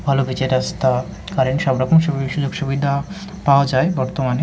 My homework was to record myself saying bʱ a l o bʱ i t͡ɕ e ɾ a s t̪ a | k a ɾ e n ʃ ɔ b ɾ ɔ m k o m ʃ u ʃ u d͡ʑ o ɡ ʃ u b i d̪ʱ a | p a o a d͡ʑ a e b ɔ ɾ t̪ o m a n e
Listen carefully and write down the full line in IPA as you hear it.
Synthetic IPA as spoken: bʱ a l o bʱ i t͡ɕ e ɾ a s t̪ a | k a ɾ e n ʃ ɔ b ɾ ɔ k o m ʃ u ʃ u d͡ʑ o ɡ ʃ u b i d̪ʱ a | p a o a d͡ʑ a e b ɔ ɾ t̪ o m a n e